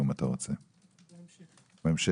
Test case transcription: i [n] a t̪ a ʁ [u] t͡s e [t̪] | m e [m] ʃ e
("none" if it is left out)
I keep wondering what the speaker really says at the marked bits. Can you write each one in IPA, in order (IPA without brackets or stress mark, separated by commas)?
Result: m, o, none, m